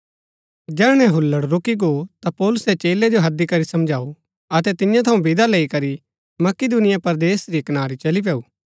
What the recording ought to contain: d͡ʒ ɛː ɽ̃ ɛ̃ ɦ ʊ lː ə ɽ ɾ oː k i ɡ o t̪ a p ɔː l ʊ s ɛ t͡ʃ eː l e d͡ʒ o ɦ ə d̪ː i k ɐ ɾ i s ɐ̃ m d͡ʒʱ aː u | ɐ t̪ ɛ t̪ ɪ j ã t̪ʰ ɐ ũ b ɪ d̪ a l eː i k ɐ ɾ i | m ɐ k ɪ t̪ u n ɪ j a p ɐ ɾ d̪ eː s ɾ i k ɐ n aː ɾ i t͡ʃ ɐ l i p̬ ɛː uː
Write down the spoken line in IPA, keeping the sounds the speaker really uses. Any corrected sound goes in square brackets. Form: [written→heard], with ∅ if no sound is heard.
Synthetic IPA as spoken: d͡ʒ ɛː ɽ̃ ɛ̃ ɦ ʊ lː ə ɽ ɾ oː k i ɡ o t̪ a p ɔː l ʊ s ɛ t͡ʃ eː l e d͡ʒ o ɦ [ə→ɐ] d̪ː i k ɐ ɾ i s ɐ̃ m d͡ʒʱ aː u | ɐ t̪ ɛ t̪ ɪ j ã t̪ʰ ɐ ũ b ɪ d̪ a l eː i k ɐ ɾ i | m ɐ k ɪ [t̪→d̪] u n ɪ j a p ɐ ɾ d̪ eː s ɾ i k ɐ n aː ɾ i t͡ʃ ɐ l i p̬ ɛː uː

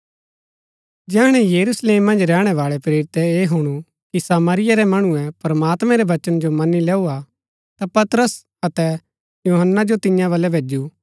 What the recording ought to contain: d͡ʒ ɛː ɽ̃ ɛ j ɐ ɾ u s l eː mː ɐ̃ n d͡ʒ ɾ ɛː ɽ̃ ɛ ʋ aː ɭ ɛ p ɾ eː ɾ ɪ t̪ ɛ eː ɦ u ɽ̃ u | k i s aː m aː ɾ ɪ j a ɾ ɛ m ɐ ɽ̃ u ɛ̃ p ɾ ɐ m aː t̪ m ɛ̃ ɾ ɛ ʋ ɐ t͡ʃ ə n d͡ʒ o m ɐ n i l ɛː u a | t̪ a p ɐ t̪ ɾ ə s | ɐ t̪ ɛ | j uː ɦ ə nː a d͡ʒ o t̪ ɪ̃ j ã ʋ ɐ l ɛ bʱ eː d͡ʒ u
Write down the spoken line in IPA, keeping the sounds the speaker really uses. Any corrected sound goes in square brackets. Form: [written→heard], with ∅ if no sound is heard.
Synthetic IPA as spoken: d͡ʒ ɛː ɽ̃ ɛ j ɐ ɾ u s l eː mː ɐ̃ n d͡ʒ ɾ ɛː ɽ̃ ɛ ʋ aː ɭ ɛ p ɾ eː ɾ ɪ t̪ ɛ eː ɦ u ɽ̃ u | k i s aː m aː ɾ ɪ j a ɾ ɛ m ɐ ɽ̃ u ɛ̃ p ɾ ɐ m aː t̪ m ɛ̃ ɾ ɛ ʋ ɐ t͡ʃ ə n d͡ʒ o m ɐ n i l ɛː u a | t̪ a p ɐ t̪ ɾ ə s | ɐ t̪ ɛ | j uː ɦ ə nː a d͡ʒ o t̪ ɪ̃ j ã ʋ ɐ l ɛ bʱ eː d͡ʒ u

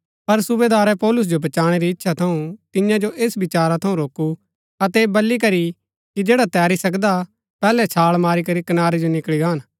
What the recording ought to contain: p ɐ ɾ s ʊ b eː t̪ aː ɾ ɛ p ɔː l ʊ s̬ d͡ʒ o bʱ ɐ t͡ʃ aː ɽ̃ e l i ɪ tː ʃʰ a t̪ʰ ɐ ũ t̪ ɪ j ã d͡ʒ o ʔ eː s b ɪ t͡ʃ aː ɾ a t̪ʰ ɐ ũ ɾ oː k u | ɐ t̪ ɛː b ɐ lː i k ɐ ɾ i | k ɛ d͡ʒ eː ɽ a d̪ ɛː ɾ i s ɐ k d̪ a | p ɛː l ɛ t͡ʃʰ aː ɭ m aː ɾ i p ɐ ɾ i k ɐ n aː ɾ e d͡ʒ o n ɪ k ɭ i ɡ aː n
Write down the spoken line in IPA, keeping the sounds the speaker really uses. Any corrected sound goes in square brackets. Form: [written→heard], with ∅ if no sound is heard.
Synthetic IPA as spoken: p ɐ ɾ s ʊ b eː [t̪→d̪] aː ɾ ɛ p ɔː l ʊ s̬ d͡ʒ o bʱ ɐ t͡ʃ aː ɽ̃ e [l→ɾ] i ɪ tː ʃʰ a t̪ʰ ɐ ũ t̪ ɪ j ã d͡ʒ o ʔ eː s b ɪ t͡ʃ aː ɾ a t̪ʰ ɐ ũ ɾ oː k u | ɐ t̪ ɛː b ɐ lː i k ɐ ɾ i | k [ɛ→i] d͡ʒ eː ɽ a [d̪→t̪] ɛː ɾ i s ɐ k d̪ a | p ɛː l ɛ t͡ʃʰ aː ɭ m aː ɾ i [p→k] ɐ ɾ i k ɐ n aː ɾ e d͡ʒ o n ɪ k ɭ i ɡ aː n

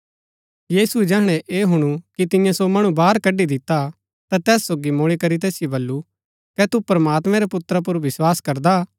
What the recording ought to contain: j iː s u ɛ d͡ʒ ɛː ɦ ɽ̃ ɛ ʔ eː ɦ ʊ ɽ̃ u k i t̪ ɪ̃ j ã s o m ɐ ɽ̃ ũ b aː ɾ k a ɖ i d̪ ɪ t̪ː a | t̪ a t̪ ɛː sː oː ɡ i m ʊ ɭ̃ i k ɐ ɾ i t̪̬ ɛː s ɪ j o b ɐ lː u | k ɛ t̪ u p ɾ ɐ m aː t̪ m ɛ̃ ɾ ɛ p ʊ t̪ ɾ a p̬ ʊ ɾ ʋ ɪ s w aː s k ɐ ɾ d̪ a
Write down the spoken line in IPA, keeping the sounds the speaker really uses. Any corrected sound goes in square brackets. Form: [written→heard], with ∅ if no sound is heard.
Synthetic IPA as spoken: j iː s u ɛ d͡ʒ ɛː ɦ ɽ̃ ɛ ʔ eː ɦ ʊ ɽ̃ u k i t̪ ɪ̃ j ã s o m ɐ ɽ̃ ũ b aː ɾ k [a→ɐ] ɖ i d̪ ɪ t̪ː a | t̪ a t̪ ɛː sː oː ɡ i m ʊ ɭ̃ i k ɐ ɾ i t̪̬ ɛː s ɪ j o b ɐ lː u | k ɛ t̪ u p ɾ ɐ m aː t̪ m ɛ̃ ɾ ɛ p ʊ t̪ ɾ a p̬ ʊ ɾ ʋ ɪ s w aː s k ɐ ɾ d̪ a

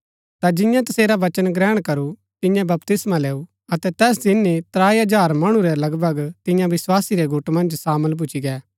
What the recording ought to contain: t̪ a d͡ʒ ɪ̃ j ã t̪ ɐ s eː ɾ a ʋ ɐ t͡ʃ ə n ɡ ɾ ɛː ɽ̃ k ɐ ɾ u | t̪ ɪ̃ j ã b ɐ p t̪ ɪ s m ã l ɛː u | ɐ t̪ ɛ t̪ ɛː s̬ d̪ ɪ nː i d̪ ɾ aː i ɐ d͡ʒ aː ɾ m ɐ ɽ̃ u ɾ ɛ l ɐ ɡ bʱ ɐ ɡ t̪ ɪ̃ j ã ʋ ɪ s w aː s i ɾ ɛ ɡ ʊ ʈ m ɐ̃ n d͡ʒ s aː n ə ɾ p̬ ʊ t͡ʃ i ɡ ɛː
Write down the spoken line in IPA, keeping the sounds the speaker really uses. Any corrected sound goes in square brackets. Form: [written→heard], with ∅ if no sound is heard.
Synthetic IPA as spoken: t̪ a d͡ʒ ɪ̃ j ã t̪ ɐ s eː ɾ a ʋ ɐ t͡ʃ ə n ɡ ɾ ɛː ɽ̃ k ɐ ɾ u | t̪ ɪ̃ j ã b ɐ p t̪ ɪ s m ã l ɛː u | ɐ t̪ ɛ t̪ ɛː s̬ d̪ ɪ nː i [d̪→t̪] ɾ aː i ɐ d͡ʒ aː ɾ m ɐ ɽ̃ u ɾ ɛ l ɐ ɡ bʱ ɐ ɡ t̪ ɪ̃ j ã ʋ ɪ s w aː s i ɾ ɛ ɡ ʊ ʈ m ɐ̃ n d͡ʒ s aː [n→m] ə [ɾ→l] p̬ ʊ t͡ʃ i ɡ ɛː

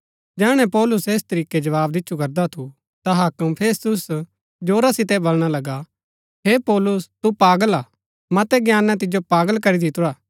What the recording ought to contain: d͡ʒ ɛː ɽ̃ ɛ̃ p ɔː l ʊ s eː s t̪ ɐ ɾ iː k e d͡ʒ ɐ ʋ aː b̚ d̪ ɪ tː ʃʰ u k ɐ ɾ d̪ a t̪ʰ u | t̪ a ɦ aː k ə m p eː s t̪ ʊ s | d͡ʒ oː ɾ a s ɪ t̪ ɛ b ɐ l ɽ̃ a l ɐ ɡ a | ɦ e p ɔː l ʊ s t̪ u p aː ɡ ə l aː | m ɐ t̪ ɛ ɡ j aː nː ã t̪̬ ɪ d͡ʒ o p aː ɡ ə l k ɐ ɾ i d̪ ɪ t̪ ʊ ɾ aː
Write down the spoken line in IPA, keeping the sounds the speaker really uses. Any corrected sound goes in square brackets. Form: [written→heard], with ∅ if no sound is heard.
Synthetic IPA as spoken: d͡ʒ ɛː ɽ̃ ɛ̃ p ɔː l ʊ s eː s t̪ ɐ ɾ iː k e d͡ʒ ɐ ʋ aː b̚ d̪ ɪ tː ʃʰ u k ɐ ɾ d̪ a t̪ʰ u | t̪ a ɦ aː k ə m [p→pʰ] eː s t̪ ʊ s | d͡ʒ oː ɾ a s ɪ t̪ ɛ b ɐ l ɽ̃ a l ɐ ɡ a | ɦ e p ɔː l ʊ s t̪ u p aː ɡ ə l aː | m ɐ t̪ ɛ ɡ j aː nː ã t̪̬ ɪ d͡ʒ o p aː ɡ ə l k ɐ ɾ i d̪ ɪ t̪ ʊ ɾ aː

